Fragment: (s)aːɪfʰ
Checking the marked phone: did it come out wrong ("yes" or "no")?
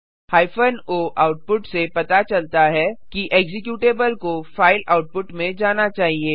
yes